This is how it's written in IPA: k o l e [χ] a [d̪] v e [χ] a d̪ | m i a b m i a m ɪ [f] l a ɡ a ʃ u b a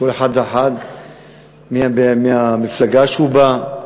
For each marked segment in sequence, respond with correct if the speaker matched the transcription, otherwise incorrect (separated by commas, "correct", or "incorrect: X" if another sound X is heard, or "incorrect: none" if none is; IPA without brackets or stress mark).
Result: incorrect: ħ, correct, incorrect: ħ, correct